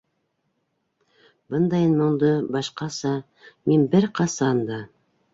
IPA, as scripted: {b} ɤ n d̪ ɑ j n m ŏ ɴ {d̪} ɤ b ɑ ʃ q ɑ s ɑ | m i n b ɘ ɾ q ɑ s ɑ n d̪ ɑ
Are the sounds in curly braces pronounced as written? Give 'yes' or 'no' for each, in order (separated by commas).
yes, yes